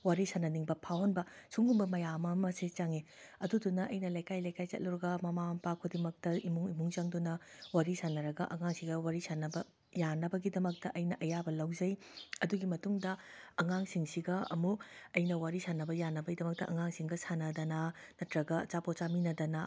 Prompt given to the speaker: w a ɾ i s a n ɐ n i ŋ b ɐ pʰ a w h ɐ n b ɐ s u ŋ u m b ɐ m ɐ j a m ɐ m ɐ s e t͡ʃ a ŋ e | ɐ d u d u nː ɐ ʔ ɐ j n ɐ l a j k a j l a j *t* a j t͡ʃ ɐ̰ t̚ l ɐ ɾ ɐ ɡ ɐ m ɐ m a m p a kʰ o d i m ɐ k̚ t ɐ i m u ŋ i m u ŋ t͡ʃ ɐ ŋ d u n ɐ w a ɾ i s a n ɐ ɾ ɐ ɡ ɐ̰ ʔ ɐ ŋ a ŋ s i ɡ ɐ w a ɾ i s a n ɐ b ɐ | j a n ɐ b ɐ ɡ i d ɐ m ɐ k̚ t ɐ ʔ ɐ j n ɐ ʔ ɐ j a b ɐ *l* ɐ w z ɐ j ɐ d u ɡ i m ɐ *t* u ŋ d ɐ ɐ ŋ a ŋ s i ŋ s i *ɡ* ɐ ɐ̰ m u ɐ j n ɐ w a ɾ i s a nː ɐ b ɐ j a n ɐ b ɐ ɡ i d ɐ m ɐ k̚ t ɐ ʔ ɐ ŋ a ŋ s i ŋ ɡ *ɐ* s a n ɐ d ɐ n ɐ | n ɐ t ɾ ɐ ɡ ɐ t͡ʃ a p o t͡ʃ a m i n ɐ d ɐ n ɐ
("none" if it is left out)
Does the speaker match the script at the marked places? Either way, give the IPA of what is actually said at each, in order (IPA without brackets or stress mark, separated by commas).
k, l, t, ɡ, ɐ